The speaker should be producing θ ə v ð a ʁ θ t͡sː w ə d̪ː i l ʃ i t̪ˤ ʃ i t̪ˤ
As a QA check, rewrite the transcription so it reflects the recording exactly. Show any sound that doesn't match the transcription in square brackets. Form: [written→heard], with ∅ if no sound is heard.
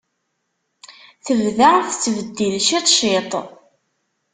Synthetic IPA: θ ə v ð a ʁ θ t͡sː [w→v] ə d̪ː i l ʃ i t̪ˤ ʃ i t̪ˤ